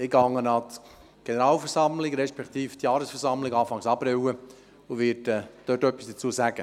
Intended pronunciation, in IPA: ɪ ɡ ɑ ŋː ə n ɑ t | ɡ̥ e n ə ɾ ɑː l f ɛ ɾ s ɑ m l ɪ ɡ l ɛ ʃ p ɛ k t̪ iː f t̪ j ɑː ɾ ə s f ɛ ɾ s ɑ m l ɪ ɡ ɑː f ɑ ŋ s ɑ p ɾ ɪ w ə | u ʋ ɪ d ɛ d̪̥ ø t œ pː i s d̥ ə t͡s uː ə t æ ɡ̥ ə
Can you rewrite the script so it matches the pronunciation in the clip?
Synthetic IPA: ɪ ɡ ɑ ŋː ə n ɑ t | ɡ̥ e n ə ɾ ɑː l f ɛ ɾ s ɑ m l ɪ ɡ ɾ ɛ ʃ p ɛ k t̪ iː f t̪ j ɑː ɾ ə s f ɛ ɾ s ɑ m l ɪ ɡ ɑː f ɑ ŋ s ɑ p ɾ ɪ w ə | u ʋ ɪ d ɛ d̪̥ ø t œ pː i s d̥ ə t͡s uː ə s æ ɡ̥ ə